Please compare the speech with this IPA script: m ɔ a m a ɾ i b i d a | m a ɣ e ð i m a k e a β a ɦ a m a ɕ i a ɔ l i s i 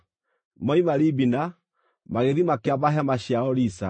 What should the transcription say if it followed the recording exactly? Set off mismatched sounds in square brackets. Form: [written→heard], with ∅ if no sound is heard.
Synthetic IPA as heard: m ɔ [a→i] m a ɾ i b i [d→n] a | m a ɣ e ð i m a k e a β a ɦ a m a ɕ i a ɔ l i s [i→a]